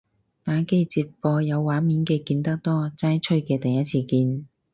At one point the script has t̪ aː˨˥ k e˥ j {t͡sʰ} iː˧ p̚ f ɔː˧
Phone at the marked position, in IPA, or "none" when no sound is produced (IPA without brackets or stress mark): t͡s